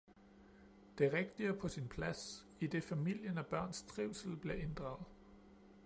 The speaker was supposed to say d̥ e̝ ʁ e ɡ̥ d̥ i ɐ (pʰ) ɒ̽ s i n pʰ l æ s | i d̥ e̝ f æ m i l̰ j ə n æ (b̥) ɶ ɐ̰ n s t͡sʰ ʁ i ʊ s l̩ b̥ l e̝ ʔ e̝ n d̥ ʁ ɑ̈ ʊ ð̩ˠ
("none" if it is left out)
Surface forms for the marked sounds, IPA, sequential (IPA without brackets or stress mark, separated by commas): pʰ, b̥